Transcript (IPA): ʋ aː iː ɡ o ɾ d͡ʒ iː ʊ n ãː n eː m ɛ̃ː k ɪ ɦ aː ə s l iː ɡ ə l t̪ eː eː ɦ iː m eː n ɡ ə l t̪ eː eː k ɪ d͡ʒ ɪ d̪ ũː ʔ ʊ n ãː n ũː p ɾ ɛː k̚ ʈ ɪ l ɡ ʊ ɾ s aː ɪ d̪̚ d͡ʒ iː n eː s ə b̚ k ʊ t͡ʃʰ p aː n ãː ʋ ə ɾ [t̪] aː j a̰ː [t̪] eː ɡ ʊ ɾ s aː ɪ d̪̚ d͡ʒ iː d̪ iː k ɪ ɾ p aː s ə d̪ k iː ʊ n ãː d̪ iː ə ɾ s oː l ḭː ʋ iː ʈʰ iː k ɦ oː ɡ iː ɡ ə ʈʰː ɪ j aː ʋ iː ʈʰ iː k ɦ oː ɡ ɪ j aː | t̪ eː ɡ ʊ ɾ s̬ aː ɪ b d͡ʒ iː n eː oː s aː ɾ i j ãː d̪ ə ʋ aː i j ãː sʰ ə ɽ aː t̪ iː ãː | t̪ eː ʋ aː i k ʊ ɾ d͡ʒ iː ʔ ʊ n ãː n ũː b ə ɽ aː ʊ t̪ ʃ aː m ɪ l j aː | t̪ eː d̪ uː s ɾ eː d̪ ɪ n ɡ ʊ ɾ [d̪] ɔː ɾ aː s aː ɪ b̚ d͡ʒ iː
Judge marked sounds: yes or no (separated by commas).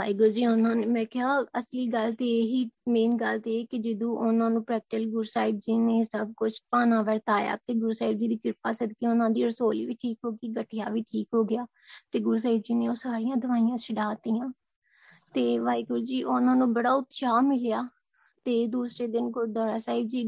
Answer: yes, yes, yes